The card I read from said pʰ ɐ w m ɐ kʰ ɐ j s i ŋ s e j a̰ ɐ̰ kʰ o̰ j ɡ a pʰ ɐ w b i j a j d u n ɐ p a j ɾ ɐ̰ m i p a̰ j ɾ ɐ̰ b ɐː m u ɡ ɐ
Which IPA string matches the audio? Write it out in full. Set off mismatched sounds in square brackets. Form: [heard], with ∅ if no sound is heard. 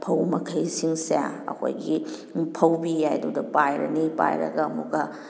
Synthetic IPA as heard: pʰ ɐ w m ɐ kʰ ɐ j s i ŋ s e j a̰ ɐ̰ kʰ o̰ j ɡ [i] pʰ ɐ w b i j a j d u [d] ɐ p a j ɾ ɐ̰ [n] i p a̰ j ɾ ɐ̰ [ɡ] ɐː m u ɡ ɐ